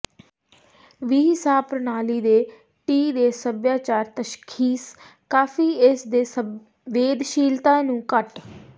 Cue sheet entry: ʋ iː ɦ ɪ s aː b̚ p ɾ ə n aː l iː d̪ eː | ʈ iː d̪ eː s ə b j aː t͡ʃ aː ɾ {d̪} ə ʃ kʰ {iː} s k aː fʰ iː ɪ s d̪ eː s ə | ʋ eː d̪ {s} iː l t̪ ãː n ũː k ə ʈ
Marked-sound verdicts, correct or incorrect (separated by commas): incorrect, correct, incorrect